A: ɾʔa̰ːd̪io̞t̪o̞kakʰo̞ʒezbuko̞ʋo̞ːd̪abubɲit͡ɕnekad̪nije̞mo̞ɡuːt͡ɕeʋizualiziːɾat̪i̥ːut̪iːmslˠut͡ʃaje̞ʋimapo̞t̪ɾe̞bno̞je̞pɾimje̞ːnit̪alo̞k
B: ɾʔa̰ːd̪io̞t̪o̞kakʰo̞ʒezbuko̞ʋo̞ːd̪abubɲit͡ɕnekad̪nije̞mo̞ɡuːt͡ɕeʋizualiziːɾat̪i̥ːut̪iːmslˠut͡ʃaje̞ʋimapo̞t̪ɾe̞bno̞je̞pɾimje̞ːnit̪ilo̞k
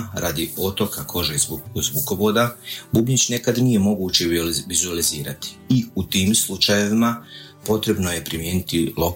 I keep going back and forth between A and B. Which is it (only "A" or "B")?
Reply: B